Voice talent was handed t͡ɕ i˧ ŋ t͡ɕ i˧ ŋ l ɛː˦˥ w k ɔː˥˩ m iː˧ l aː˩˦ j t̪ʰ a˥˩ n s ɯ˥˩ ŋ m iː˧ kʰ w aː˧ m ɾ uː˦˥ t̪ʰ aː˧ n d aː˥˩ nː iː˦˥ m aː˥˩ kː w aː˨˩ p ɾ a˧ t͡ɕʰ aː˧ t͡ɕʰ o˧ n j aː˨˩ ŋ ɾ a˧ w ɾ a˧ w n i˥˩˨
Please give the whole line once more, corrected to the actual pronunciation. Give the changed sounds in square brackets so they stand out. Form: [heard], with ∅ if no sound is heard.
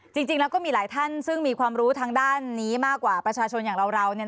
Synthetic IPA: t͡ɕ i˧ ŋ t͡ɕ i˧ ŋ l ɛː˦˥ w k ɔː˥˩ m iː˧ l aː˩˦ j t̪ʰ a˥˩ n s ɯ˥˩ ŋ m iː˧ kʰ w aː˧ m ɾ uː˦˥ t̪ʰ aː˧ [ŋ] d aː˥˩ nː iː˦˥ m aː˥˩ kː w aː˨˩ p ɾ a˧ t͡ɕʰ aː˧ t͡ɕʰ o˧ n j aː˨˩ ŋ ɾ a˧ w ɾ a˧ w n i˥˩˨